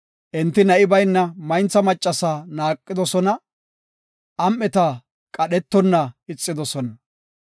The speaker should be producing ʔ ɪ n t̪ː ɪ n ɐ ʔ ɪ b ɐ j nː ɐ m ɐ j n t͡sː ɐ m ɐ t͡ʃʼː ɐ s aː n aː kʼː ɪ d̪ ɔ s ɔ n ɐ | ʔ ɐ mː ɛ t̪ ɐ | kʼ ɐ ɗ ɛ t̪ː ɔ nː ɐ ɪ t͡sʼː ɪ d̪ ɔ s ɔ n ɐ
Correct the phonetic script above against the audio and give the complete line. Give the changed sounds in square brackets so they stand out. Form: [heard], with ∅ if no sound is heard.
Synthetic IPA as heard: ʔ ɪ n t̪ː ɪ n ɐ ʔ ɪ b ɐ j nː ɐ m ɐ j n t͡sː ɐ m ɐ t͡ʃʼː ɐ s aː n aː kʼː ɪ d̪ ɔ s ɔ n ɐ | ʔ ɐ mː ɛ t̪ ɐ | kʼ ɐ ɗ ɛ t̪ː ɔ nː ɐ ɪ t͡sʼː ɪ d̪ ɔ s ɔ n ɐ

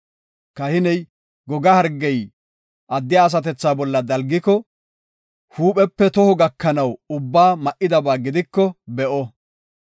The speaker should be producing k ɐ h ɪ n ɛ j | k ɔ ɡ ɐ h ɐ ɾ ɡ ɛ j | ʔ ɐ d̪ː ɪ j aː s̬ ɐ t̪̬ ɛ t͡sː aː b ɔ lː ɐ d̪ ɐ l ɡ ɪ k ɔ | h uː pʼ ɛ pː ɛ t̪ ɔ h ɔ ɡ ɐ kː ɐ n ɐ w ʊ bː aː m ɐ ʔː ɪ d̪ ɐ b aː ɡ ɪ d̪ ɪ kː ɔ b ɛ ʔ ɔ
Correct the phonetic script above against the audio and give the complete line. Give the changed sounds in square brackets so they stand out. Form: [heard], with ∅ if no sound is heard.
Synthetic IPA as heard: k ɐ h ɪ n ɛ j | [ɡ] ɔ ɡ ɐ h ɐ ɾ ɡ ɛ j | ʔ ɐ d̪ː ɪ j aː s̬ ɐ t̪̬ ɛ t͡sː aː b ɔ lː ɐ d̪ ɐ l ɡ ɪ k ɔ | h uː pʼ ɛ pː ɛ t̪ ɔ h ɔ ɡ ɐ kː ɐ n ɐ w ʊ bː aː m ɐ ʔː ɪ d̪ ɐ b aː ɡ ɪ d̪ ɪ kː ɔ b ɛ ʔ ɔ

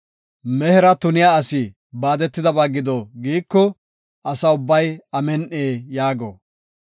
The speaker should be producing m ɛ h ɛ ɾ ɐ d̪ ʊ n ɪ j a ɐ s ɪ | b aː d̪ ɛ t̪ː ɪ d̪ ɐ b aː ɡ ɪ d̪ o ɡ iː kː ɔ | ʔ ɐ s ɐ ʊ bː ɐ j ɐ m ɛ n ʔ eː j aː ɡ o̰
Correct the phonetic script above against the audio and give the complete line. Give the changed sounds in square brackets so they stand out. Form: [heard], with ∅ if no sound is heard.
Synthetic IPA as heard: m ɛ h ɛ ɾ ɐ [t̪] ʊ n ɪ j a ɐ s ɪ | b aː d̪ ɛ t̪ː ɪ d̪ ɐ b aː ɡ ɪ d̪ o ɡ iː kː ɔ | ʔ ɐ s ɐ ʊ bː ɐ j ɐ m ɛ n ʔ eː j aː ɡ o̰

